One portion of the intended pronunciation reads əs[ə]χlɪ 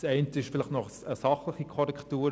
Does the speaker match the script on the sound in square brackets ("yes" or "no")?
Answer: no